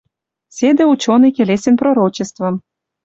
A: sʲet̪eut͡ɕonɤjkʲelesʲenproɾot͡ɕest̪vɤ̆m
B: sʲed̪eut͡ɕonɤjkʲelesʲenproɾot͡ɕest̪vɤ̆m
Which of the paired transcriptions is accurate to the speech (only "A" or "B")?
B